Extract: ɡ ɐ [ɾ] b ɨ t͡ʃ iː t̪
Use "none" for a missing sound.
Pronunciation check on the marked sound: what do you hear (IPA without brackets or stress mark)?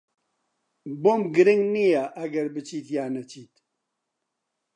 ɾ